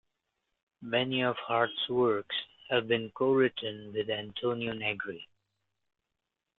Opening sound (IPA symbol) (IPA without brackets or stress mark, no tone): m